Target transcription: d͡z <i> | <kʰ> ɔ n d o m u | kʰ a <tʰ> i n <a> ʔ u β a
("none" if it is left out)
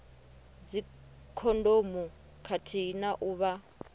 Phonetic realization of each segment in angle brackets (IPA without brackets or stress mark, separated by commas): i, kʰ, tʰ, a